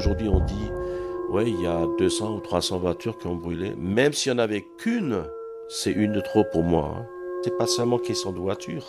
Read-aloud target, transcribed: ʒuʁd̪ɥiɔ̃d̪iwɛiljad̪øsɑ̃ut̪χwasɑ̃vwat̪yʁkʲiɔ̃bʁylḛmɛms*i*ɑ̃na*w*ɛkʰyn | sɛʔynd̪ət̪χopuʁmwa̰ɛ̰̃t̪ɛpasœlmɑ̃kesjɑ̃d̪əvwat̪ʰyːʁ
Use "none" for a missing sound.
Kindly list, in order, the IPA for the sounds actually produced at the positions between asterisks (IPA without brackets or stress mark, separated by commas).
i, v